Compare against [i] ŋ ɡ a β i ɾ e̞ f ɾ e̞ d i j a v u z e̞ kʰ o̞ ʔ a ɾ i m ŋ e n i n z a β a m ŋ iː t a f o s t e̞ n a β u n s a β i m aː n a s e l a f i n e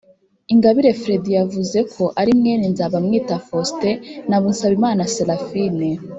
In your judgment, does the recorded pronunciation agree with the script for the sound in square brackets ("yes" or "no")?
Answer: yes